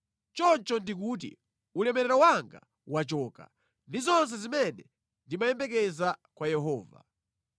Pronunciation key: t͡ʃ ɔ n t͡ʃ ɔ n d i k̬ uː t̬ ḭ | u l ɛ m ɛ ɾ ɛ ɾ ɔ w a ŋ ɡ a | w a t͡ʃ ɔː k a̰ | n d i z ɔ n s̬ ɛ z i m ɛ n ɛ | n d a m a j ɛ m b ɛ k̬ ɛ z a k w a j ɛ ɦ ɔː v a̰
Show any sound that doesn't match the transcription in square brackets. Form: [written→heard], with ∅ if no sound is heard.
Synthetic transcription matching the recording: t͡ʃ ɔ n t͡ʃ ɔ n d i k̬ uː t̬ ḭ | u l ɛ m ɛ ɾ ɛ ɾ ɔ w a ŋ ɡ a | w a t͡ʃ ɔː k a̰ | n d i z ɔ n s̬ ɛ z i m ɛ n ɛ | n d [a→i] m a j ɛ m b ɛ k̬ ɛ z a k w a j ɛ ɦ ɔː v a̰